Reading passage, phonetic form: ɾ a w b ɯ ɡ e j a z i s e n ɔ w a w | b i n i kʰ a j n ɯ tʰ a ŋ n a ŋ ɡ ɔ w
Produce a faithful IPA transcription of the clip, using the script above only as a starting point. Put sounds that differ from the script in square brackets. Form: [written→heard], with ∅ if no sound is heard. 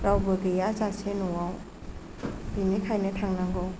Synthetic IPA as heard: ɾ a w b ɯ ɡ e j a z [i→a] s e n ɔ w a w | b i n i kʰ a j n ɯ tʰ a ŋ n a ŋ ɡ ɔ w